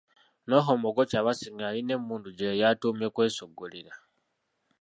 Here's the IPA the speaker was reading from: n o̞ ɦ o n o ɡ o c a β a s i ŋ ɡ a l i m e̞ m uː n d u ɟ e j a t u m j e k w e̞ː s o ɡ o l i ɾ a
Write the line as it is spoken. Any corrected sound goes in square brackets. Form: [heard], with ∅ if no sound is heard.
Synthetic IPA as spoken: n o̞ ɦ o [m] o ɡ o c a β a s i ŋ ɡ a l i [n] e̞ m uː n d u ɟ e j a t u m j e k w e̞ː s o ɡ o l i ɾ a